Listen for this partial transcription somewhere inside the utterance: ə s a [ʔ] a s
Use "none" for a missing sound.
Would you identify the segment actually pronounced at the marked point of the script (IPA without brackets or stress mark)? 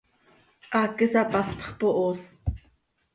p